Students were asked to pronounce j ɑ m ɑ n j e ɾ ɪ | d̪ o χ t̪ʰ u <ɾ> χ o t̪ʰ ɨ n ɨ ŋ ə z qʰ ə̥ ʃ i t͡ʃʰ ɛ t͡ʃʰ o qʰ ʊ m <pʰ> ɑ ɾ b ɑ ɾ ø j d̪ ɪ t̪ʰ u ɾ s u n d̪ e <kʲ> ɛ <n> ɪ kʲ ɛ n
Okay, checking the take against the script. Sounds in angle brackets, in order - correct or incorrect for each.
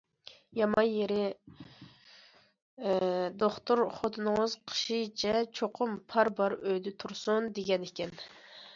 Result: correct, correct, incorrect, correct

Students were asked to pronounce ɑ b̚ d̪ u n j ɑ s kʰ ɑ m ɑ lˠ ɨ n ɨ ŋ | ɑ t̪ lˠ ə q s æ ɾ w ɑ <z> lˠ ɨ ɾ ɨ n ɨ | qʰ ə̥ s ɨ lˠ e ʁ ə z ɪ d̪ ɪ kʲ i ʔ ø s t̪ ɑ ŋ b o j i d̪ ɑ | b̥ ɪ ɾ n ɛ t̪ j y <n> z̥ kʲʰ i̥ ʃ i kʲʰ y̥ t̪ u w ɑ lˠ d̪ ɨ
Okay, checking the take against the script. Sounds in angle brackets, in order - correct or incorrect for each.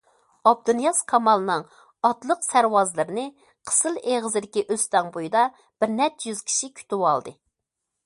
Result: correct, incorrect

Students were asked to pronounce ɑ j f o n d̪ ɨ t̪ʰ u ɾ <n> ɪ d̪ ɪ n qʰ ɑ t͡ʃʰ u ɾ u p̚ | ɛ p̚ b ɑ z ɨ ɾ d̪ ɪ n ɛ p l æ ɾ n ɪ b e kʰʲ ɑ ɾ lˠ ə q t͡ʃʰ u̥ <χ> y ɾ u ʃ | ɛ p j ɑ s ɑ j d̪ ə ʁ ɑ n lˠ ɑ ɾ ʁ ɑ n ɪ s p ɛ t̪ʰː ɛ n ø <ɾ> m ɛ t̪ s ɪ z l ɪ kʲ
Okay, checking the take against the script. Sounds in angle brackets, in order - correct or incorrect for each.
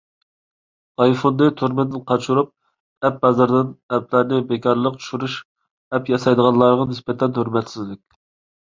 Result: incorrect, incorrect, correct

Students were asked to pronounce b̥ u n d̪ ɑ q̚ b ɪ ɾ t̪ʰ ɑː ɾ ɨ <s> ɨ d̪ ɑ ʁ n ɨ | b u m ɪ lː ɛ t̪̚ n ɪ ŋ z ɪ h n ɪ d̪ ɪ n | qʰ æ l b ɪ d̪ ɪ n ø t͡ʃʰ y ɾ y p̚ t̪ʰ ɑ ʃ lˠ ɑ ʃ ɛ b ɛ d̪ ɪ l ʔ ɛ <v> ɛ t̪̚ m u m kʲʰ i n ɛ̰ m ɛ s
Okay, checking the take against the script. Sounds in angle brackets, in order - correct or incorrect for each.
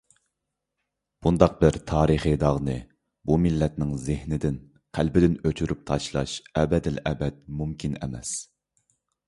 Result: incorrect, incorrect

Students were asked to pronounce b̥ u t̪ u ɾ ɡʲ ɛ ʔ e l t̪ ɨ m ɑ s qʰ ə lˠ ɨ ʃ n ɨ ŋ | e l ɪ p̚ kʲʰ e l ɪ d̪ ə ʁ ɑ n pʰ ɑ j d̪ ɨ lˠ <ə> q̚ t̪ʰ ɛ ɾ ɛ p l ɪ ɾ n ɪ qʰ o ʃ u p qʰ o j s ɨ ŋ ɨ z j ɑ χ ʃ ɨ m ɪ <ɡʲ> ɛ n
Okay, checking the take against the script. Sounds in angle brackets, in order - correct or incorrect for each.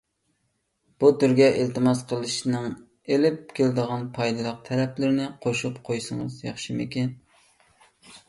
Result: correct, incorrect

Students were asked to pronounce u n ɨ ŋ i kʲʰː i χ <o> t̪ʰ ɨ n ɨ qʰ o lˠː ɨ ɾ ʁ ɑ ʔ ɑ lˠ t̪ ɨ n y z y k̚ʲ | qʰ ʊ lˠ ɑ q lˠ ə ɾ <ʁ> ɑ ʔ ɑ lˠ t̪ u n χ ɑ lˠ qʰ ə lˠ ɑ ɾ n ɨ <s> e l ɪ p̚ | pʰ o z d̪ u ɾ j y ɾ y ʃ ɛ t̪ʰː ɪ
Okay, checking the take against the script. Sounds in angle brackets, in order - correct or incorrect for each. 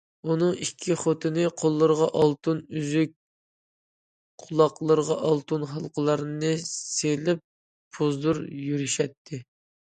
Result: correct, correct, correct

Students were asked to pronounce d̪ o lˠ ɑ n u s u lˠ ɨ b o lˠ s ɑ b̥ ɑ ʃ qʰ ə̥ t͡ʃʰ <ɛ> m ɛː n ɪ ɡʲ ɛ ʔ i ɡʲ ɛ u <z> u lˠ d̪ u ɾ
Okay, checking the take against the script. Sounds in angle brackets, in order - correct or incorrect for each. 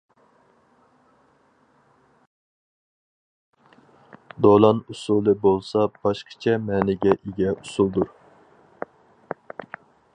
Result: correct, incorrect

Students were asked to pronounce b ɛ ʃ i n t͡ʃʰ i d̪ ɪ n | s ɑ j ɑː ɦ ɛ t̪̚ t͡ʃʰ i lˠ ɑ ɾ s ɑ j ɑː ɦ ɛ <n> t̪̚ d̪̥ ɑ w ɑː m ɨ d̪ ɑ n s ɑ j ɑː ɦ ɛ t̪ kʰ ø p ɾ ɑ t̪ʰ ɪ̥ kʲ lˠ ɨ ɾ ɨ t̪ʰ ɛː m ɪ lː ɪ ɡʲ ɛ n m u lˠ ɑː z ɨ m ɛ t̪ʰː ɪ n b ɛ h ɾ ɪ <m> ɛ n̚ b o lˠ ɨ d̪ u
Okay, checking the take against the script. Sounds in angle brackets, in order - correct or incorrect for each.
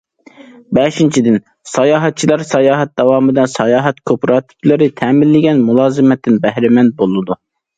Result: incorrect, correct

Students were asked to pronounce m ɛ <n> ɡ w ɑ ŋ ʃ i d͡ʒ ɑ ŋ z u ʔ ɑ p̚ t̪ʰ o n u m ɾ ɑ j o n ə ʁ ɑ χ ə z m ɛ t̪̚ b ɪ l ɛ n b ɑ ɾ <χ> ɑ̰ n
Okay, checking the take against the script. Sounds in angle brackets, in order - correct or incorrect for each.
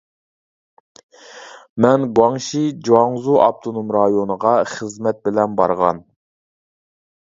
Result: correct, incorrect

